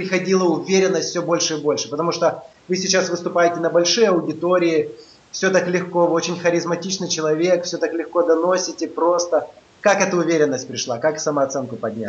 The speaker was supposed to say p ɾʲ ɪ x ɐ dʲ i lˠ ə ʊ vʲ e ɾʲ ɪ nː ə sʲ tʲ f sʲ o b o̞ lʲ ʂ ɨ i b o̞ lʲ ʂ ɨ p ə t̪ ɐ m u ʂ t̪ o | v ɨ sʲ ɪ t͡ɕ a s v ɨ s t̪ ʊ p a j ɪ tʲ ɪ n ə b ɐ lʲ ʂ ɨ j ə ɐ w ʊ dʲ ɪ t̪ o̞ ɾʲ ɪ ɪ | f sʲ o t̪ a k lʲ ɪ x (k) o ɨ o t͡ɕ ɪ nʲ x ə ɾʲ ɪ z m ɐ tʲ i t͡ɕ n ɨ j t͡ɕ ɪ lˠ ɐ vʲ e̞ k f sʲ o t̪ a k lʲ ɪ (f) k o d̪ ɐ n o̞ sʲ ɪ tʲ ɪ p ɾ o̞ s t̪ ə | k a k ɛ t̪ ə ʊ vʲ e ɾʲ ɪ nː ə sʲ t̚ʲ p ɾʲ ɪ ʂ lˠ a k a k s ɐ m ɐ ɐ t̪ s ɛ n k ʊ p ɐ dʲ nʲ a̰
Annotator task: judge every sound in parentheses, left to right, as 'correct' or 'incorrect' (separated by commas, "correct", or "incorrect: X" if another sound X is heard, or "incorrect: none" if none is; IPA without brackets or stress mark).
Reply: correct, incorrect: x